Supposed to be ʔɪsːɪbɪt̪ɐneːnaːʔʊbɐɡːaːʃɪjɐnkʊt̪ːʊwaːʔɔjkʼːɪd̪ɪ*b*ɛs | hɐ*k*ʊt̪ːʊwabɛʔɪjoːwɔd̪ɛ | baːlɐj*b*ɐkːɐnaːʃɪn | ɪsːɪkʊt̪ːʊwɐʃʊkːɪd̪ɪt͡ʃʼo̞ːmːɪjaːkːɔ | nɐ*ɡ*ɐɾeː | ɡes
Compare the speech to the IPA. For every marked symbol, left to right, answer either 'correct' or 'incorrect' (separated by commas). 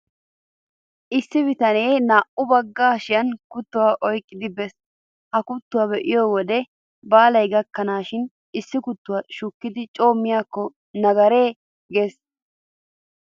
correct, correct, incorrect, correct